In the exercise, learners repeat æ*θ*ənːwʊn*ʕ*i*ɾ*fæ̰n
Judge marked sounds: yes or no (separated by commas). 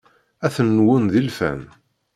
yes, no, no